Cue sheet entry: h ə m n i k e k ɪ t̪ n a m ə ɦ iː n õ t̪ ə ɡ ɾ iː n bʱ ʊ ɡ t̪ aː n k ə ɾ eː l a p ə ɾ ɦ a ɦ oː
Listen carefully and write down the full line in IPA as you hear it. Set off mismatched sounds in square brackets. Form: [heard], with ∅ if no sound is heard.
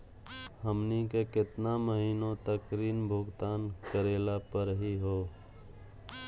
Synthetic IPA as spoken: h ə m n i k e k ɪ t̪ n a m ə ɦ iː n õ t̪ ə [k] ɾ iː n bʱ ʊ ɡ t̪ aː n k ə ɾ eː l a p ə ɾ ɦ [i] ɦ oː